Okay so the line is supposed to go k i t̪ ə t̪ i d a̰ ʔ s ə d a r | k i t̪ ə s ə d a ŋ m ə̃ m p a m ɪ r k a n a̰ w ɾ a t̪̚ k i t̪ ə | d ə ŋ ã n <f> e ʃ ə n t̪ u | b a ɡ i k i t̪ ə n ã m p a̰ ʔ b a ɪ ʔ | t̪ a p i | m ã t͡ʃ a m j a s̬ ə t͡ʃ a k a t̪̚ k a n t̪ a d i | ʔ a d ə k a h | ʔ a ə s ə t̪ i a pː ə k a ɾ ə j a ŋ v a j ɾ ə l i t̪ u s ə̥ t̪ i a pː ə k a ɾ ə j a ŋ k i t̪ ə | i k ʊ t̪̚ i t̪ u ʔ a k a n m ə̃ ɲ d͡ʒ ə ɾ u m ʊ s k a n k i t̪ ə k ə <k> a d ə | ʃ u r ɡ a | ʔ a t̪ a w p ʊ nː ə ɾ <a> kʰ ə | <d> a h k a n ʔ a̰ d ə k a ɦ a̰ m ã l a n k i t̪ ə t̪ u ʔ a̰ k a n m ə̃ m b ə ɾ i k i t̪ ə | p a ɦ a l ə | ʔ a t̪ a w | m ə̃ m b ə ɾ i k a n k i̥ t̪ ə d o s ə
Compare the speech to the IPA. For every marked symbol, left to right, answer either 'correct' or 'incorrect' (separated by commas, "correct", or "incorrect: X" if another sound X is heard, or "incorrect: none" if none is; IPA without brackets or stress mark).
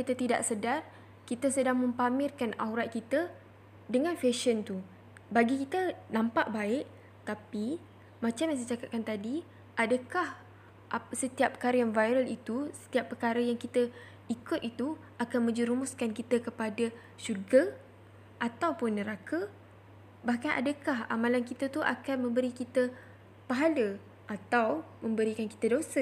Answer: correct, incorrect: p, correct, incorrect: b